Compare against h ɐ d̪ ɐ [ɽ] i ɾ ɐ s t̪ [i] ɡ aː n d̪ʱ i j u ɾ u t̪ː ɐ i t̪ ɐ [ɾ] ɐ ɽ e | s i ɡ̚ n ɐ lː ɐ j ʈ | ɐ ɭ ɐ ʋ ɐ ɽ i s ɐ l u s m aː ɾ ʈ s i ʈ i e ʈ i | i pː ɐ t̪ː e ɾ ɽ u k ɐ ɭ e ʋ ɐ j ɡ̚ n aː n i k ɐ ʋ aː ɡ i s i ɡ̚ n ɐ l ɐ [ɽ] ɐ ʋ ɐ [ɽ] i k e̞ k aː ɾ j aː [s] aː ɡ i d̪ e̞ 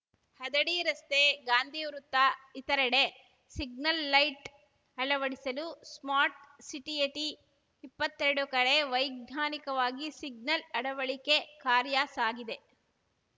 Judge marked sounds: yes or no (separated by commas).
yes, no, yes, yes, no, yes